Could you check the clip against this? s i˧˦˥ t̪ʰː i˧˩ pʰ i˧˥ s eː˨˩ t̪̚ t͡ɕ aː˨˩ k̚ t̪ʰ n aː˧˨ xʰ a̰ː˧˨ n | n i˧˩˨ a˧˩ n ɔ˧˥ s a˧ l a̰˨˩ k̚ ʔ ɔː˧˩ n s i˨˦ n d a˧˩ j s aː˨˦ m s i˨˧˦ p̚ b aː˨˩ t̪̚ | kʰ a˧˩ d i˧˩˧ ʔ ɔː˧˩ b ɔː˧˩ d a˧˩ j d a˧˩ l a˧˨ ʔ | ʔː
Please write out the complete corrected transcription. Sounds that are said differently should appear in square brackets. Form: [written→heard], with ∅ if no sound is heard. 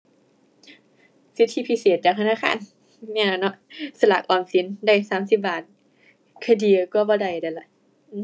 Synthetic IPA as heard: s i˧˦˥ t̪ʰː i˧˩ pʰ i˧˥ s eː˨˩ t̪̚ t͡ɕ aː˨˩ k̚ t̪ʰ n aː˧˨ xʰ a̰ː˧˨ n | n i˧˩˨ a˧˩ n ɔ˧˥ s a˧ l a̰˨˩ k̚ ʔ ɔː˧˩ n s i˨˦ n d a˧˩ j s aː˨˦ m s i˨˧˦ p̚ b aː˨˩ t̪̚ | kʰ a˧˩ d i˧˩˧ [ʔ→k] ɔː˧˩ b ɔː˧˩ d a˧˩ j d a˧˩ l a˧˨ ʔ | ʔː